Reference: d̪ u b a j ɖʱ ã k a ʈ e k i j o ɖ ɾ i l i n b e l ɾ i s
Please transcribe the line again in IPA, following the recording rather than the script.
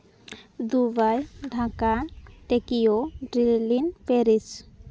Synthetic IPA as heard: d̪ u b a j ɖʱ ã k a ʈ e k i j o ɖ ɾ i l i n p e ɾ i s